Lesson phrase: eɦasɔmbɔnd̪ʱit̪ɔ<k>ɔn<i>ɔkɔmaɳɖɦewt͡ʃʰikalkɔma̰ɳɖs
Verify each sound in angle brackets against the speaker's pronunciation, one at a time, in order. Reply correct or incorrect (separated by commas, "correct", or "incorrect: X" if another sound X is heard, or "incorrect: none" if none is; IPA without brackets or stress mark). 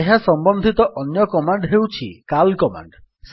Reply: incorrect: ʔ, incorrect: j